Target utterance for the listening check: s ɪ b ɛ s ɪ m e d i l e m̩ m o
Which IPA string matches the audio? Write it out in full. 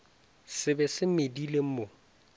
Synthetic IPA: s ɪ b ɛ s ɪ m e d i l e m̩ m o